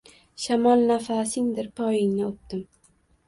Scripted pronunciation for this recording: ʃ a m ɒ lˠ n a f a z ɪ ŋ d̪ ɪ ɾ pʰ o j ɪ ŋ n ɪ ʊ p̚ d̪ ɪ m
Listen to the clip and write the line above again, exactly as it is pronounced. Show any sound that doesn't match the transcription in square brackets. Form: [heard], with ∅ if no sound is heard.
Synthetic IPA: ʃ a m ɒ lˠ n a f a [s] ɪ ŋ d̪ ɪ ɾ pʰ [ɒ] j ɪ ŋ n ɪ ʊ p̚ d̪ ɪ m